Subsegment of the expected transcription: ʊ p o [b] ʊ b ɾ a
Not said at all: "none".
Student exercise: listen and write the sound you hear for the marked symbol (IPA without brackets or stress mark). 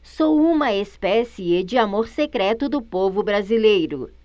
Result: v